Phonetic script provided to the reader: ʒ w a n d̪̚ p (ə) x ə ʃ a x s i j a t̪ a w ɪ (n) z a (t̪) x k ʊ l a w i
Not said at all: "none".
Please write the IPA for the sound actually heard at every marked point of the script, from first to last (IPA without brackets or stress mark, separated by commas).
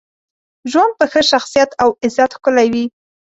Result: ə, none, t̪